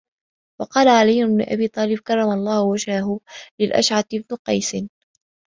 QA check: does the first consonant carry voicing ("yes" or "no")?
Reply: yes